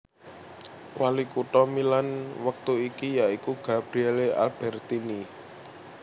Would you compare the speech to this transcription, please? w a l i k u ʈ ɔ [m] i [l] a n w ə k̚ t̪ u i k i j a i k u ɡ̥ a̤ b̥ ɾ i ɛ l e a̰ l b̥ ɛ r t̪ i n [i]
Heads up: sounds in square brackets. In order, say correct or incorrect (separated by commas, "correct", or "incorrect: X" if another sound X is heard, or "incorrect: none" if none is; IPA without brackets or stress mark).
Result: correct, correct, correct